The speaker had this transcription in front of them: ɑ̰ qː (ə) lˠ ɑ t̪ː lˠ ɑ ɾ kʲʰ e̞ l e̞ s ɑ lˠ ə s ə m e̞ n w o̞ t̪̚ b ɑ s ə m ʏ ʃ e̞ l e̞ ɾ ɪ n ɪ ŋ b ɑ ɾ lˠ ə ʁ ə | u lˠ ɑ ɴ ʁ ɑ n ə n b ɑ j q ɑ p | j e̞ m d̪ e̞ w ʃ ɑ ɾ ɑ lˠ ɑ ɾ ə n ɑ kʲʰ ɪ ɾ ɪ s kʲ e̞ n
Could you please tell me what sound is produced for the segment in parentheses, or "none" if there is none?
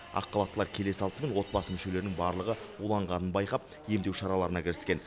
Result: ɑ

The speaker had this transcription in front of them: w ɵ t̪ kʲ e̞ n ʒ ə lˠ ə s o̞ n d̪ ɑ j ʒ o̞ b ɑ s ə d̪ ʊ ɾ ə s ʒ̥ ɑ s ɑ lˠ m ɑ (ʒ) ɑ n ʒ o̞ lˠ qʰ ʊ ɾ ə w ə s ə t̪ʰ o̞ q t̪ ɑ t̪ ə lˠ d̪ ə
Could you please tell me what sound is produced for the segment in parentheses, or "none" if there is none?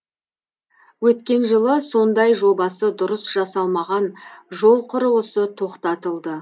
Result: ʁ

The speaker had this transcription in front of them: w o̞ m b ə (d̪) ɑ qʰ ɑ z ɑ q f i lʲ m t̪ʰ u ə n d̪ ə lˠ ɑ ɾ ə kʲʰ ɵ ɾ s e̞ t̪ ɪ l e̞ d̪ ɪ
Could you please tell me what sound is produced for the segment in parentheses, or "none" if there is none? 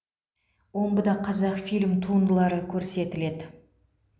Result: d̪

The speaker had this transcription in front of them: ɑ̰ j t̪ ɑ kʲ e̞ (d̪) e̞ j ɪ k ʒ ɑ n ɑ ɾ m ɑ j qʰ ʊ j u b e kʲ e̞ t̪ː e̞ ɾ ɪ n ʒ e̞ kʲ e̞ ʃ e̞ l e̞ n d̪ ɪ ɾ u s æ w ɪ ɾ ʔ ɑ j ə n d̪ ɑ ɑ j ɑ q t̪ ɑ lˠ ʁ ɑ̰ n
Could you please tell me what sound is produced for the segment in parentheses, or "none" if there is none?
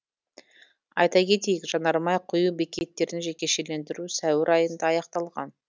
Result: t̪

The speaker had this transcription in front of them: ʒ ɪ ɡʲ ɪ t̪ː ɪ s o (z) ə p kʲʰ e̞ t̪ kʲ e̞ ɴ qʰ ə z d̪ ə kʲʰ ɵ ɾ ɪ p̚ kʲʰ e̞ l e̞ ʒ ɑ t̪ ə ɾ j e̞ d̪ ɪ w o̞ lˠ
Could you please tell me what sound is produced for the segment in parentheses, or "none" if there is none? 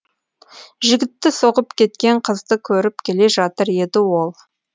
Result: ʁ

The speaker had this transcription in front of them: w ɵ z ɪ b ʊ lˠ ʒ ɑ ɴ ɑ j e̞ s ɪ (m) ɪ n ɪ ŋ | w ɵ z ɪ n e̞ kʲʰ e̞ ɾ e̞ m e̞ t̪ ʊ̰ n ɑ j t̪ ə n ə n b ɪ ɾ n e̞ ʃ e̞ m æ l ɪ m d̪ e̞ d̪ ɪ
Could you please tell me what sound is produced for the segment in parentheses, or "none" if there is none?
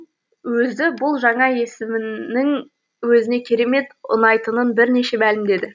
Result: m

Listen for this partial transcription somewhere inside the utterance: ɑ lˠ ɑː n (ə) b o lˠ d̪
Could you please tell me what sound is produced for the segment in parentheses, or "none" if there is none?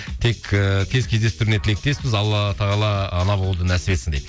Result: ɑ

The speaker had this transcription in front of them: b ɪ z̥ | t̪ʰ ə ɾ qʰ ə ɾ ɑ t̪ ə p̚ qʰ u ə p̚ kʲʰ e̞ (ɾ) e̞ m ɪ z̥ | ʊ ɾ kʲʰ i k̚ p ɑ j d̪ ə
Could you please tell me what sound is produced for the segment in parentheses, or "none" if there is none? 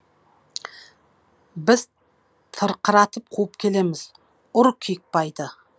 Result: l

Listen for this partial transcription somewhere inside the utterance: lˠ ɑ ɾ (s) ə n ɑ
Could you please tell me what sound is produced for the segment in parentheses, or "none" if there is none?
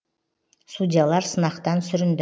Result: s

